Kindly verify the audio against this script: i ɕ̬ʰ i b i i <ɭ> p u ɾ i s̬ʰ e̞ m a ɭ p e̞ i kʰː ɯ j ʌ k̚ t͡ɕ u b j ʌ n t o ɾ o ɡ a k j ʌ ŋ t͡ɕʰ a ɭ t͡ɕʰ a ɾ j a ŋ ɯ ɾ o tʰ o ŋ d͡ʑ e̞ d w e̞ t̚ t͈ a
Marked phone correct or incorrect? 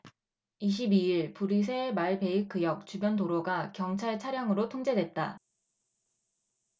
correct